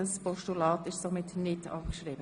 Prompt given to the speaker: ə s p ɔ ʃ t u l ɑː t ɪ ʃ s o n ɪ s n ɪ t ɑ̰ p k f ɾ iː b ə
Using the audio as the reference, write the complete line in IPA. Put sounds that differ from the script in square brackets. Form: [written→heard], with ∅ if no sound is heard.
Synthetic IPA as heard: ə s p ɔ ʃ t u l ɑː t ɪ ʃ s o [n→m] ɪ [s→t] n ɪ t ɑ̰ p k [f→ʃ] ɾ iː b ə